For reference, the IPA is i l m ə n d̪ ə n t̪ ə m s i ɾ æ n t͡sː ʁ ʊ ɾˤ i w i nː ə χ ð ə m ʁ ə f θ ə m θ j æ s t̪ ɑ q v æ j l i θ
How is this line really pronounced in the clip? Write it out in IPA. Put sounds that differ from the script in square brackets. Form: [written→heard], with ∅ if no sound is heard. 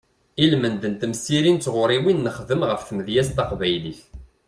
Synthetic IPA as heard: i l m ə n d̪ ə n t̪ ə m s i ɾ [æ→i] n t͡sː ʁ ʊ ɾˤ i w i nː ə χ ð ə m ʁ ə f θ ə m [θ→ð] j æ s t̪ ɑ q v æ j l i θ